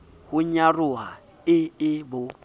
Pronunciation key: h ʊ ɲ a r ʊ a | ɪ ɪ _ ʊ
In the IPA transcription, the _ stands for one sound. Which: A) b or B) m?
A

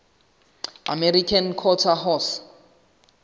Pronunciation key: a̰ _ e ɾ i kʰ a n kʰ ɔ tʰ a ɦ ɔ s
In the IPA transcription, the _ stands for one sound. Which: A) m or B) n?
A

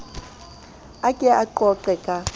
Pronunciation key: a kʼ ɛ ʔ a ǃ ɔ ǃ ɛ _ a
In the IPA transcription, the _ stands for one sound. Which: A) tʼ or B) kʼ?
B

